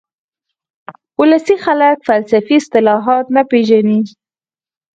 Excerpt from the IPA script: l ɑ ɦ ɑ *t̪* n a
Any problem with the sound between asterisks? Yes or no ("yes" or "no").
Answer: no